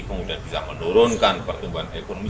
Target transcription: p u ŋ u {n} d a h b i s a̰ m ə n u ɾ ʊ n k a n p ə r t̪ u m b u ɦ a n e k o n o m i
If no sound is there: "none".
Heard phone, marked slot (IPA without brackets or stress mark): none